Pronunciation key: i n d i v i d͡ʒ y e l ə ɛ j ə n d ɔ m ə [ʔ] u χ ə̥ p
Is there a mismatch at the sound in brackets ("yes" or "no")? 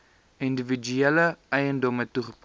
yes